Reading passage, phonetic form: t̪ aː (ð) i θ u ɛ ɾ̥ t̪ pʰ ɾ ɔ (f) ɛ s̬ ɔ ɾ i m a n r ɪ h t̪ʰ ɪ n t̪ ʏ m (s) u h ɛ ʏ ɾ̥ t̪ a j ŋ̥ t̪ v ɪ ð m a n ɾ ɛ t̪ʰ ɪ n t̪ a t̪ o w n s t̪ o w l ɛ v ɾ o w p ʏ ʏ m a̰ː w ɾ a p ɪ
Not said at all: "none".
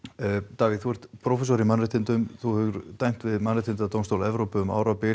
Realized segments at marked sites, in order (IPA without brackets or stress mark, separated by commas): v, f, θ